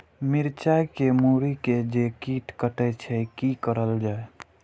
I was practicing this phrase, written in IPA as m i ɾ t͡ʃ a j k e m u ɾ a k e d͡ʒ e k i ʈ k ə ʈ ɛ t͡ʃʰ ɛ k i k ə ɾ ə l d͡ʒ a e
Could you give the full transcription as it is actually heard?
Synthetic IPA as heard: m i ɾ t͡ʃ a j k e m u ɾ i k e d͡ʒ e k i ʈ k ə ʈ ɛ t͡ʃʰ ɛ k i k ə ɾ ə l d͡ʒ a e

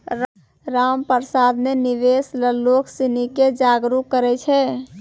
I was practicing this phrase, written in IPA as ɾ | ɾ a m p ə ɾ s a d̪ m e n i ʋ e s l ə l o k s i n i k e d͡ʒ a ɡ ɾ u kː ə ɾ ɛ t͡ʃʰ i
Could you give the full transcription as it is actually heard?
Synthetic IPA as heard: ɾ | ɾ a m p ə ɾ s a d̪ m e n i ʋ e s l ə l o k s i n i k e d͡ʒ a ɡ ɾ u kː ə ɾ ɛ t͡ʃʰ ɛ

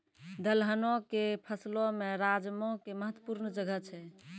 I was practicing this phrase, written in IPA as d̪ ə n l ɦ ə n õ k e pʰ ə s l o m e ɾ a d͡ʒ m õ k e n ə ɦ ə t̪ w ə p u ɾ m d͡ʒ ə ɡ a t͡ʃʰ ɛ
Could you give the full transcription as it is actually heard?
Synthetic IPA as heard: d̪ ə l ɦ ə n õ k e pʰ ə s l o m e ɾ a d͡ʒ m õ k e m ə ɦ ə t̪ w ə p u ɾ n d͡ʒ ə ɡ ə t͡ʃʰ ɛ

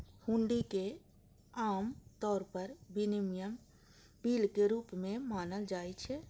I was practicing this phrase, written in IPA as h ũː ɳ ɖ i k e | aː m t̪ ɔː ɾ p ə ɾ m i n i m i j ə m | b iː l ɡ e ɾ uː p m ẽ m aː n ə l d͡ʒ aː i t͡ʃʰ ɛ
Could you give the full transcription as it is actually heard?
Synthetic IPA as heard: h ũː ɳ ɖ i k e | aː m t̪ ɔː ɾ p ə ɾ b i n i m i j ə m | b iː l k e ɾ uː p m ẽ m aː n ə l d͡ʒ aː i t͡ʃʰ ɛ

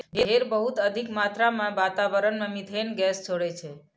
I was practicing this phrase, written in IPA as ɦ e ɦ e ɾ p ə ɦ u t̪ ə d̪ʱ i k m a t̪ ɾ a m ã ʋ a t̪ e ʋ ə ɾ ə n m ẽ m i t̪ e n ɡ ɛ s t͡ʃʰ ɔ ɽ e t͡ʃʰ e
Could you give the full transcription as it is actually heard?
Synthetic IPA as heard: ɦ e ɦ e ɾ b ə ɦ u t̪ ə d̪ʱ i k m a t̪ ɾ a m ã ʋ a t̪ a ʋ ə ɾ ə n m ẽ m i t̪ e n ɡ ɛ s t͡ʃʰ o ɽ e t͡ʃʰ e

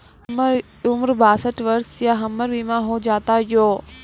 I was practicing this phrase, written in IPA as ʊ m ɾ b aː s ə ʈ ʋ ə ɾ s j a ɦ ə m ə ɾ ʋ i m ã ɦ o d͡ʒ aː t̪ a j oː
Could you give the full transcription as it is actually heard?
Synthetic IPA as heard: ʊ m ɾ b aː s ə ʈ ʋ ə ɾ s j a ɦ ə m ə ɾ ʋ i m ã ɦ o d͡ʒ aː t̪ a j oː

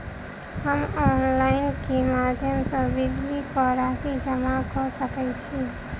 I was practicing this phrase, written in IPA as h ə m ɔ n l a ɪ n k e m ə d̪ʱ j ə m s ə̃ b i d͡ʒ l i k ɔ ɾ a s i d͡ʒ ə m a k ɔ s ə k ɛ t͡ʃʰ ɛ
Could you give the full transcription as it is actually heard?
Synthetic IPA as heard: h ə m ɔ n l a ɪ n k e m a d̪ʱ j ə m s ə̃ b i d͡ʒ l i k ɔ ɾ a s i d͡ʒ ə m a k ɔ s ə k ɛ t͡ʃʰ i

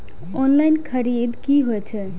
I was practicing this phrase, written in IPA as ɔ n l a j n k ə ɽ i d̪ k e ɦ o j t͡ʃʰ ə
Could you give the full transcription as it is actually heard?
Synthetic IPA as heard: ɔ n l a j n kʰ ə ɾ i d̪ k i ɦ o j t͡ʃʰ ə

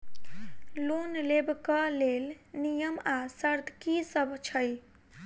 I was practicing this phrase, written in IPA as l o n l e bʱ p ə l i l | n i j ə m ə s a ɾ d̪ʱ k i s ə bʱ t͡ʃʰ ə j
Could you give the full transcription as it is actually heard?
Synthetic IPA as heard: l o n l e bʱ k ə l e l | n i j ə m a s ə ɾ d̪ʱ k i s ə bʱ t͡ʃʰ ə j

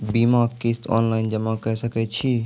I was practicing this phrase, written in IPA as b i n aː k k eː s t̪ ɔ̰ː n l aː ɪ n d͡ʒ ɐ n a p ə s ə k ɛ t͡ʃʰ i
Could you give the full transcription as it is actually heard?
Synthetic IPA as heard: b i m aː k k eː s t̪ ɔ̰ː n l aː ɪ n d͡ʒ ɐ m a k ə s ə k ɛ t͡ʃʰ i

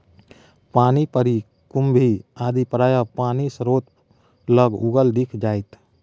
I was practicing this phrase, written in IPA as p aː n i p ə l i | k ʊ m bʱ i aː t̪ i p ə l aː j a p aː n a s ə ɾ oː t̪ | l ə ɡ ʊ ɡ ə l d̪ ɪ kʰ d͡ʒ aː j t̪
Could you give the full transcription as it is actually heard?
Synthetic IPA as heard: p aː n i p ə ɾ i | k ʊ m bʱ i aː d̪ i p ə ɾ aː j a p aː n i s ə ɾ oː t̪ | l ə ɡ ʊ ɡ ə l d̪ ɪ kʰ d͡ʒ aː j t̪

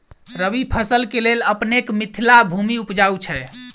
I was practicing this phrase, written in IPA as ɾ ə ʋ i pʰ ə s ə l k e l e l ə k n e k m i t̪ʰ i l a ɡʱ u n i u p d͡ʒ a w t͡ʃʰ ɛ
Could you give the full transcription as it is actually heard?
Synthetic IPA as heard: ɾ ə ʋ i pʰ ə s ə l k e l e l ə p n e k m i t̪ʰ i l a bʱ u m i u p d͡ʒ a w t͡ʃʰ ɛ

